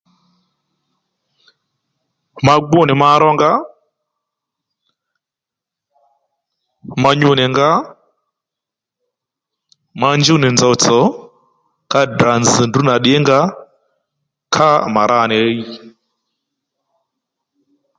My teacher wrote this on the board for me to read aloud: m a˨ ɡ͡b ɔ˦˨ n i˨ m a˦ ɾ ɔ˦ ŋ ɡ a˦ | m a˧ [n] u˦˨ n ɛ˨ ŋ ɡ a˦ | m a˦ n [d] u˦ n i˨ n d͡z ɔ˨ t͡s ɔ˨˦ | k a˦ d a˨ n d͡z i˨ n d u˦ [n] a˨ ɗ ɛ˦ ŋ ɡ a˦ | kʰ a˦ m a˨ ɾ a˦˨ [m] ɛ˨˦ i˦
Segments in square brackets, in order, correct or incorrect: incorrect: ɲ, incorrect: d͡ʒ, correct, incorrect: n

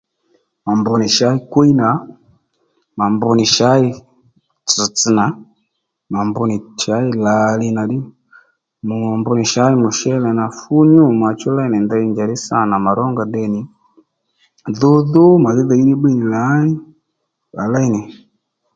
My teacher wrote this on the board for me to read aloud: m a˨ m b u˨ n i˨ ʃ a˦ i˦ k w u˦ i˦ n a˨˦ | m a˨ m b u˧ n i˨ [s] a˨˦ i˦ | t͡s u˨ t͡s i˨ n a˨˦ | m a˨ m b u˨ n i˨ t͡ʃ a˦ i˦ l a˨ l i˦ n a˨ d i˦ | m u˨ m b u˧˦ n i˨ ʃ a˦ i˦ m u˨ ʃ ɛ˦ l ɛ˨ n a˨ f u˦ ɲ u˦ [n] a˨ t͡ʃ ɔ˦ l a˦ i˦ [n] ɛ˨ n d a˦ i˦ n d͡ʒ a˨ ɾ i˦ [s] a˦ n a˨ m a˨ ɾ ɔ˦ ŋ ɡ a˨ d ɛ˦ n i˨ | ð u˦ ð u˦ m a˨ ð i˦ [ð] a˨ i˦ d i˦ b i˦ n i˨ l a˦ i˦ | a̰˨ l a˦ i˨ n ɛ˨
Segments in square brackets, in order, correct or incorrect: incorrect: ʃ, incorrect: m, correct, correct, correct

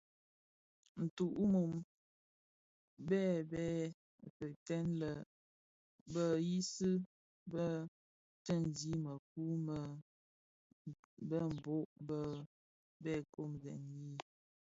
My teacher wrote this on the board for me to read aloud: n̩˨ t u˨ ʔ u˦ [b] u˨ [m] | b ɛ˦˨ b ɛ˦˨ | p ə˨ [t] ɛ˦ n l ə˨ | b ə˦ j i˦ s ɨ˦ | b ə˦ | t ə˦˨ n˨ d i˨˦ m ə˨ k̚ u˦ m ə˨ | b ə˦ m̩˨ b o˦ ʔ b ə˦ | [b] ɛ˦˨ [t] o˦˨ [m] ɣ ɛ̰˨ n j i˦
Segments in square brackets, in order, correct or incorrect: incorrect: m, correct, correct, correct, incorrect: k, correct

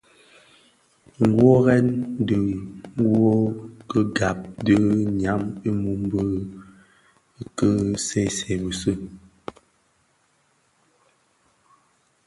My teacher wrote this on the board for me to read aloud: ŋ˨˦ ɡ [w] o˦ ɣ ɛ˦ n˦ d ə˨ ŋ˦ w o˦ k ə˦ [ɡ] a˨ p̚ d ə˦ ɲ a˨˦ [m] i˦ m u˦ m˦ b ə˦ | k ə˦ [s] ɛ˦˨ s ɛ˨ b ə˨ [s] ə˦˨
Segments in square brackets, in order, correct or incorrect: correct, correct, correct, correct, correct

